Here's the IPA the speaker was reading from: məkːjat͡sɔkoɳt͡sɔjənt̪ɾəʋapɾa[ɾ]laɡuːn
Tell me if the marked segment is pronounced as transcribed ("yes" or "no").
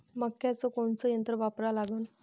no